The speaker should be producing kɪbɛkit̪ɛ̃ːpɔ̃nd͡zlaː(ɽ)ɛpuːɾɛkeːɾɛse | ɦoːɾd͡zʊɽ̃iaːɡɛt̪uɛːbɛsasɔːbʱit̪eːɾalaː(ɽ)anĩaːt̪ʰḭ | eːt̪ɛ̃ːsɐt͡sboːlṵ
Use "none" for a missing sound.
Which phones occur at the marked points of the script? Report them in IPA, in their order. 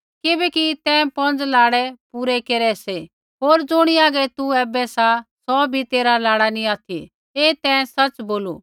ɽ, ɽ

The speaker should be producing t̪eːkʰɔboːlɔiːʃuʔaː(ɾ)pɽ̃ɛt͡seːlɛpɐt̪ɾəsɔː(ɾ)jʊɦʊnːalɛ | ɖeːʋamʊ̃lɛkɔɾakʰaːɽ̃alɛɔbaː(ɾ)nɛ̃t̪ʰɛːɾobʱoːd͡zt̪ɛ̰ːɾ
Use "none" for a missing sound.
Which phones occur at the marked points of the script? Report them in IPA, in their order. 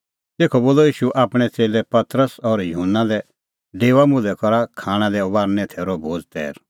none, ɾ, ɾ

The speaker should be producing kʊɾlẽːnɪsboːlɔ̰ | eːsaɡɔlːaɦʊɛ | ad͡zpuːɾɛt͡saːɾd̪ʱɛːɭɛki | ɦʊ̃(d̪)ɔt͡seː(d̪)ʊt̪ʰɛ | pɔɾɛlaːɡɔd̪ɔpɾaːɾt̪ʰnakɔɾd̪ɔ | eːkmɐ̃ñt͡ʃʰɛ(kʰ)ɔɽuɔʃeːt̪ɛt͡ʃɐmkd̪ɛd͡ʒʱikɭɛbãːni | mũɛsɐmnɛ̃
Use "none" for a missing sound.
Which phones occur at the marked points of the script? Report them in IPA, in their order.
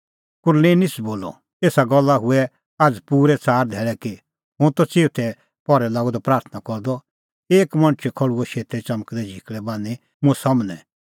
t̪, none, kʰ

